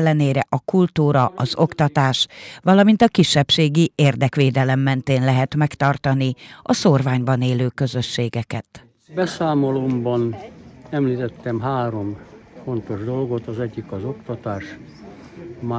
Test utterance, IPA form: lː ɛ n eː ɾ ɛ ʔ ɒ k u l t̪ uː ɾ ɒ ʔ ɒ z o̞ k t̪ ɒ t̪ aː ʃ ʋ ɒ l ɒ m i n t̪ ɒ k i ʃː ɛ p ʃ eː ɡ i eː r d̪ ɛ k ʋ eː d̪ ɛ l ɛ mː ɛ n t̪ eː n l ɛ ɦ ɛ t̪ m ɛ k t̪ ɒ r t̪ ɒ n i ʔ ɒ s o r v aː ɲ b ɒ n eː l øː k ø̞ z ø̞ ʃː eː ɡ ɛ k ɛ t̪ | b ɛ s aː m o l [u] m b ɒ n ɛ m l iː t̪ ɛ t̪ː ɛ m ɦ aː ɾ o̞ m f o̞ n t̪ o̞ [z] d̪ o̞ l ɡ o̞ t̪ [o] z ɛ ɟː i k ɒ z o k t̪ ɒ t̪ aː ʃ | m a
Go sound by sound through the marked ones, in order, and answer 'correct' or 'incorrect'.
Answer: incorrect: o, incorrect: ʒ, incorrect: ɒ

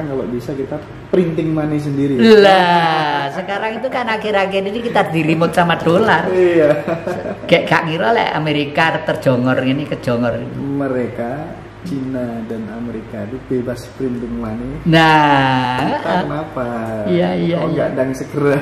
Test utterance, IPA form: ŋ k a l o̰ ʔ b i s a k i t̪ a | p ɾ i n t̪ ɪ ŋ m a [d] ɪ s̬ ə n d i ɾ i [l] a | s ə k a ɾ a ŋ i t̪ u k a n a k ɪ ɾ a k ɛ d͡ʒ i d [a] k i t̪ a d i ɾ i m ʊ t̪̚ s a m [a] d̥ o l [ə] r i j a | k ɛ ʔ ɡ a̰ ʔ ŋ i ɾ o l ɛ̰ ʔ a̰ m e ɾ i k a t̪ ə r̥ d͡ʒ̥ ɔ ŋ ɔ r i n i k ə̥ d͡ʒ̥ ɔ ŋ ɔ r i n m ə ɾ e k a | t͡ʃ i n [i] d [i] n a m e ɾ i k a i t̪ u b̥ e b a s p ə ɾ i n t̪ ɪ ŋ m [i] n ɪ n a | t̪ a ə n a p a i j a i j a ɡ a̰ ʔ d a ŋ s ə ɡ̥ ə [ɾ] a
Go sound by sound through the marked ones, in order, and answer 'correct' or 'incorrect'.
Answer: incorrect: n, correct, incorrect: i, correct, incorrect: a, incorrect: a, incorrect: a, incorrect: a, correct

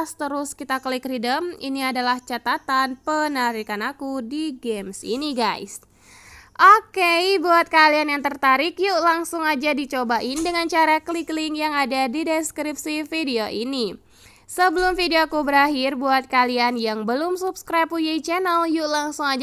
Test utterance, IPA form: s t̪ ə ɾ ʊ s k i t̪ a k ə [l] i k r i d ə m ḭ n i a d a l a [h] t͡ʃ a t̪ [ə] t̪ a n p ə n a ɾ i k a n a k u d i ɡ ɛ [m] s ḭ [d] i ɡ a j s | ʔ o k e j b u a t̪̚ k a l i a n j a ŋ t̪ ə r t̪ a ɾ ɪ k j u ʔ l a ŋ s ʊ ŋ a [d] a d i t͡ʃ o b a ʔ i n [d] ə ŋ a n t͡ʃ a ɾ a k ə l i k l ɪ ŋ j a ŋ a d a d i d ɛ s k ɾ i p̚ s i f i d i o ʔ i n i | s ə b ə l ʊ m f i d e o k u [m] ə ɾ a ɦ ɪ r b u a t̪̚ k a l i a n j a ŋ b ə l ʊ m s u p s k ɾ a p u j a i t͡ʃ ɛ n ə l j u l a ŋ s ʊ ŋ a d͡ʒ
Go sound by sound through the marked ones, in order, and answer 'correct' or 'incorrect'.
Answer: correct, correct, incorrect: a, correct, incorrect: n, incorrect: d͡ʒ, correct, incorrect: b

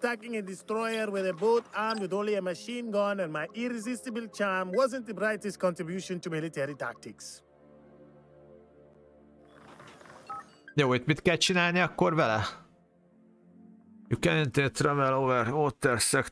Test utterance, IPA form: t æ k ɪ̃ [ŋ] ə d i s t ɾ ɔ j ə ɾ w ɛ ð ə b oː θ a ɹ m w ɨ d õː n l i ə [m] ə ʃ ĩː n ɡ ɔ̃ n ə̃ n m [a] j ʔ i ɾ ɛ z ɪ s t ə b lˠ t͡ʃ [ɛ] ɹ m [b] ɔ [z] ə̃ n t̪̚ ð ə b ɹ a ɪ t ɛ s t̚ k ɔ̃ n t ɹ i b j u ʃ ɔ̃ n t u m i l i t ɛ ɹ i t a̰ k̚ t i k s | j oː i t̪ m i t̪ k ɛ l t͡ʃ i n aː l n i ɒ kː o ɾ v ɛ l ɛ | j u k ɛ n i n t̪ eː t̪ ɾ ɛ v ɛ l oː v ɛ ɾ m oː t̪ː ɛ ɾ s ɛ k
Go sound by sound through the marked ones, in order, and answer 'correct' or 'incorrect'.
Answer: correct, correct, correct, incorrect: a, incorrect: w, correct

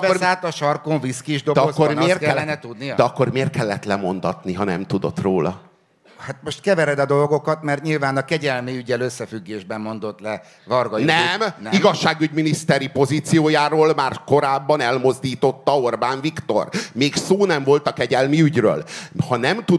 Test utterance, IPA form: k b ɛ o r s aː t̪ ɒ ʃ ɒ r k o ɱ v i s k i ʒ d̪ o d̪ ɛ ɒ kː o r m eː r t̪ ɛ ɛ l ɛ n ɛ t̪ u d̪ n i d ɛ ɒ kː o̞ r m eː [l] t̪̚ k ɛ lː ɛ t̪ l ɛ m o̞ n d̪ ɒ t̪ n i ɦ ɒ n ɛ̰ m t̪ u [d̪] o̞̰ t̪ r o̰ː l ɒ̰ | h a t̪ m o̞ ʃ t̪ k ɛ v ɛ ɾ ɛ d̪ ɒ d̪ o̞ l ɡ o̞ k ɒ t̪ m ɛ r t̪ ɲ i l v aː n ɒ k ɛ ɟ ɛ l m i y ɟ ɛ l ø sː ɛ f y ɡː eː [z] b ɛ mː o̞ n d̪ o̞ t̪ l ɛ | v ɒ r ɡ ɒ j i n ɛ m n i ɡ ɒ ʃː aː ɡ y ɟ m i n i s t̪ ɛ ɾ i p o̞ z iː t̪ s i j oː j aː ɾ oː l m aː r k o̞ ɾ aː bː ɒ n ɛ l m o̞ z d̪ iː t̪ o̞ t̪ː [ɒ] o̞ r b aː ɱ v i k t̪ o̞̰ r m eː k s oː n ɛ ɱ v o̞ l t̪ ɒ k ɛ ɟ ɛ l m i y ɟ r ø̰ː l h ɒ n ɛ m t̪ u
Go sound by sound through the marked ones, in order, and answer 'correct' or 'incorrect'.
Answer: incorrect: r, correct, incorrect: ʒ, correct

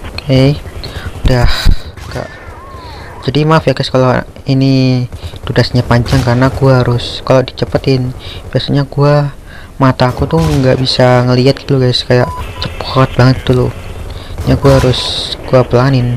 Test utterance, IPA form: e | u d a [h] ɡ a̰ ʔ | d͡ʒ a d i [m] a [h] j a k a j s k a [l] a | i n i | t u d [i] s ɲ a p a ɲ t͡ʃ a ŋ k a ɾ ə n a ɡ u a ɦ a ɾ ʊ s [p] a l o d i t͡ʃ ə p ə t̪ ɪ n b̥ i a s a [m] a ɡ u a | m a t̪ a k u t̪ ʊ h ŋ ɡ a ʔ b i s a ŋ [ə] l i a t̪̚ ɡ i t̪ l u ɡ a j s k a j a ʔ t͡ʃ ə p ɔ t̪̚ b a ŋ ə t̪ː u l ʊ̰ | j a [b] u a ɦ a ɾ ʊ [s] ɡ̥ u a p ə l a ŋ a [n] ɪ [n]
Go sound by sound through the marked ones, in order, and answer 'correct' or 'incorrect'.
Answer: correct, correct, incorrect: f, correct, incorrect: a, incorrect: k, incorrect: ɲ, correct, incorrect: ɡ, correct, correct, correct

